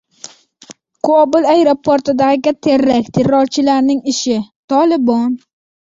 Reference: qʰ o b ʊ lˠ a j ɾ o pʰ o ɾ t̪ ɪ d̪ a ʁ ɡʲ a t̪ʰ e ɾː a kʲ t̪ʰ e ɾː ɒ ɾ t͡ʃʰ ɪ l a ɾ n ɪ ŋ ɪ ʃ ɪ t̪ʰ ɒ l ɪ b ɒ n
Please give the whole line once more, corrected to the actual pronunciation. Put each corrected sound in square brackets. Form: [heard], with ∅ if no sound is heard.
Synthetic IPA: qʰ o b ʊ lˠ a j ɾ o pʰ o ɾ t̪ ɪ d̪ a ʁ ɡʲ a t̪ʰ e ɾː a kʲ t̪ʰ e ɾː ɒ ɾ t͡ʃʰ ɪ l a ɾ n ɪ ŋ ɪ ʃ ɪ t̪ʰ ɒ l ɪ b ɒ n